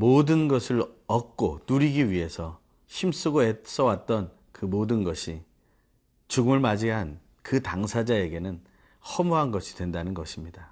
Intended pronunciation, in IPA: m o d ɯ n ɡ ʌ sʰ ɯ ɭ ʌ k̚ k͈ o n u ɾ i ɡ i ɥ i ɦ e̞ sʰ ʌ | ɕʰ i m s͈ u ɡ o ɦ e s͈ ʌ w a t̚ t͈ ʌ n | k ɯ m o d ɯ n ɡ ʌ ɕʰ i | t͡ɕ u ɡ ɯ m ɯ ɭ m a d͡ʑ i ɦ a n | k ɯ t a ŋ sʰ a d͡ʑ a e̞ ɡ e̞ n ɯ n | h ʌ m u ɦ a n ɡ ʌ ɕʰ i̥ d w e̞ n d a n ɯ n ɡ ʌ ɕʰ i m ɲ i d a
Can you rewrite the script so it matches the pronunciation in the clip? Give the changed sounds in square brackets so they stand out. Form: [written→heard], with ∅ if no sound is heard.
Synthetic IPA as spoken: m o d ɯ n ɡ ʌ sʰ ɯ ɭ ʌ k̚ k͈ o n u ɾ i ɡ i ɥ i ɦ e̞ sʰ ʌ | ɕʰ i m s͈ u ɡ o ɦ e s͈ ʌ w a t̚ t͈ ʌ n | k ɯ m o d ɯ n ɡ ʌ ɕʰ i | t͡ɕ u ɡ ɯ m ɯ ɭ m a d͡ʑ i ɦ a n | k ɯ t a ŋ sʰ a d͡ʑ a e̞ ɡ e̞ n ɯ n | h ʌ m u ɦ a n ɡ ʌ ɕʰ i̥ d w e̞ n d a n ɯ n ɡ ʌ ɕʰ i m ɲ i d a